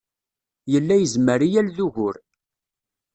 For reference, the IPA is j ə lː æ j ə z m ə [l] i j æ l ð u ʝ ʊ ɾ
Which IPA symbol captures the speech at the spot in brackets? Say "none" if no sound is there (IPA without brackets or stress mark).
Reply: ɾ